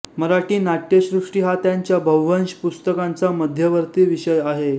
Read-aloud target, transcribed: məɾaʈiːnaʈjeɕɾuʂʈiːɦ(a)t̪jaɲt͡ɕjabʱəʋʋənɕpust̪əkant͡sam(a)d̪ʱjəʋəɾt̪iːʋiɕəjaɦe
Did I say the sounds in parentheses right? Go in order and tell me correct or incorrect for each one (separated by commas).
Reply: correct, incorrect